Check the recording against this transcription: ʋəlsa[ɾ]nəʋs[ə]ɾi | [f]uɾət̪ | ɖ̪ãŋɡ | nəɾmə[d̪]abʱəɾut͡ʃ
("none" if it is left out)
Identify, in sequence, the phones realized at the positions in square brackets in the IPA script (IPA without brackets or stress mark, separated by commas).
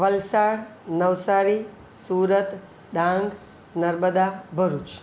ɽ, a, s, d̪